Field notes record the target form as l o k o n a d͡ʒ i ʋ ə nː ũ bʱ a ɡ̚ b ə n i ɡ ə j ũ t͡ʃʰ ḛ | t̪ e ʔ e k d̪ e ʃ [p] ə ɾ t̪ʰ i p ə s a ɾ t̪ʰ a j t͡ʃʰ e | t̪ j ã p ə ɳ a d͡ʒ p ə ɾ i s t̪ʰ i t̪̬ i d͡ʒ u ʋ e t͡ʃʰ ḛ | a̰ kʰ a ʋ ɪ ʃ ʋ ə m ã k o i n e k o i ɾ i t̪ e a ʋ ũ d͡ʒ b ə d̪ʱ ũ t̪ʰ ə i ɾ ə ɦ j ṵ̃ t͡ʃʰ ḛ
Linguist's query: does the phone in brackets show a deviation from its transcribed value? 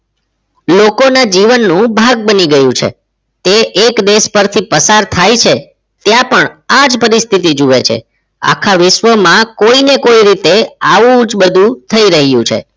no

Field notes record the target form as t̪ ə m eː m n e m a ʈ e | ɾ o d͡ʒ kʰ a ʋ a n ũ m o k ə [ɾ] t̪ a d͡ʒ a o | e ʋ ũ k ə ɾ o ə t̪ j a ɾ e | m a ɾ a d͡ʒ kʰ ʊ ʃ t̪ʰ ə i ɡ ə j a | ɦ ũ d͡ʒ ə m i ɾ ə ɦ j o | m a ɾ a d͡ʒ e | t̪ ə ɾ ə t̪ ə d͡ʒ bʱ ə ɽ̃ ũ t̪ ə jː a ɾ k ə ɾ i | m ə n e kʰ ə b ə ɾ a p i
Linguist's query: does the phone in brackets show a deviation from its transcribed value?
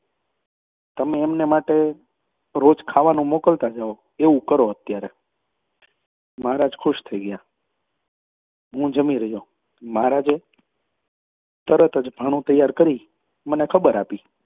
yes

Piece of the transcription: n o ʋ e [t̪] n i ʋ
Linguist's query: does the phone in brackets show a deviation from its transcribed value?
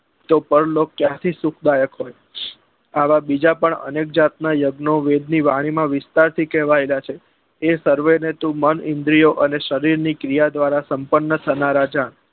yes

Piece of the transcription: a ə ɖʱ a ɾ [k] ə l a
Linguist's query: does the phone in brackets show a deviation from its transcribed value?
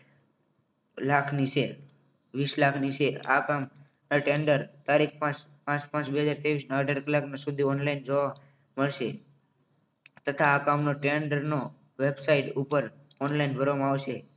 no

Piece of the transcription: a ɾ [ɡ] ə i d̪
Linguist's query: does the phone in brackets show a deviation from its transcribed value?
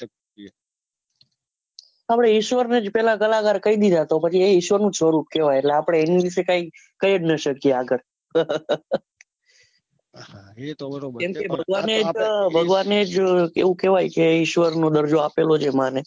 yes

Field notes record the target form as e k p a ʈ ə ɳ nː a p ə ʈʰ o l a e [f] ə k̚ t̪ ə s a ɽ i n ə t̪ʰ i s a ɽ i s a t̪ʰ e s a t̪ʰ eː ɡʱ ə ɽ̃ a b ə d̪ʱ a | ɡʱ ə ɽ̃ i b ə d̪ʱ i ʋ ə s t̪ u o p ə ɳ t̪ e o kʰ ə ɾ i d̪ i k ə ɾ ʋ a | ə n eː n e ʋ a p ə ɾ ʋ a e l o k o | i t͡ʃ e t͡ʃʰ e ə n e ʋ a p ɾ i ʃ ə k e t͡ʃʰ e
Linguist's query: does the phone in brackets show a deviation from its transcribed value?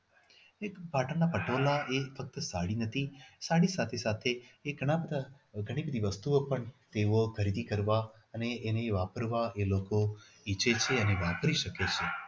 no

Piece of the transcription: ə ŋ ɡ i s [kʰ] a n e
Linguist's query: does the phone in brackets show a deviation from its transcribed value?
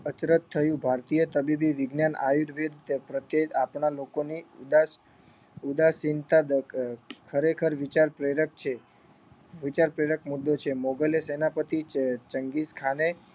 no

